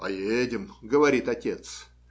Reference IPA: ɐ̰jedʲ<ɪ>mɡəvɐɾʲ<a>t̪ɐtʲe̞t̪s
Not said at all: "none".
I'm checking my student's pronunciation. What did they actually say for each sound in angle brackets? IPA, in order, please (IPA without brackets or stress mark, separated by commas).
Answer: ɪ, i